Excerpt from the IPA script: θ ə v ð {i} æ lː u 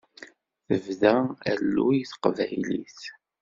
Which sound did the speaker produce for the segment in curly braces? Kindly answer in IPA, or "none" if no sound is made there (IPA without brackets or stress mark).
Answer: æ